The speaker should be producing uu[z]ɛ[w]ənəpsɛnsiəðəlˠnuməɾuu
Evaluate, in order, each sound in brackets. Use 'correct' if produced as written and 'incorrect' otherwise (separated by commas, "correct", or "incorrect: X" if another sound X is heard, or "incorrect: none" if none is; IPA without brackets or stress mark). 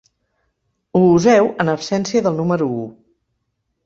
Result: correct, correct